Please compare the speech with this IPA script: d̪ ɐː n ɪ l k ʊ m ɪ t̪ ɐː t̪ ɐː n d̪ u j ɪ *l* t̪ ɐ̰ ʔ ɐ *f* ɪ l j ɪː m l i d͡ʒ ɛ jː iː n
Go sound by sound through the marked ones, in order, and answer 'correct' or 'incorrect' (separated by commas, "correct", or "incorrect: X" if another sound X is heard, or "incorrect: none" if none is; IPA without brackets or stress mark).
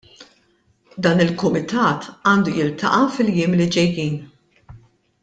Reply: correct, correct